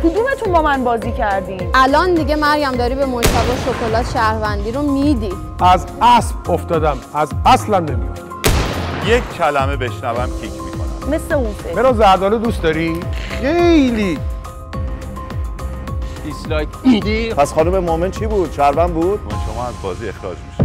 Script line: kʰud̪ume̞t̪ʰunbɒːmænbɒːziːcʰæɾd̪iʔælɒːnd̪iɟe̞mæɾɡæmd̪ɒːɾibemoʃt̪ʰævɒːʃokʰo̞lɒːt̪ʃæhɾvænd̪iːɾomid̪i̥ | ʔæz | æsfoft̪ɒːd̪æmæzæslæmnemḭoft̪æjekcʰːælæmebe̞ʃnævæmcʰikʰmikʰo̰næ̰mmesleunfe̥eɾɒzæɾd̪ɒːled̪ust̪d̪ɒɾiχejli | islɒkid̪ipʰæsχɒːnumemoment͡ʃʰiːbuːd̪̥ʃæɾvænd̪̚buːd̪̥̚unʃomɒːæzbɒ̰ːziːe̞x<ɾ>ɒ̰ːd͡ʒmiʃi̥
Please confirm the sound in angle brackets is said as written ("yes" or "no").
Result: yes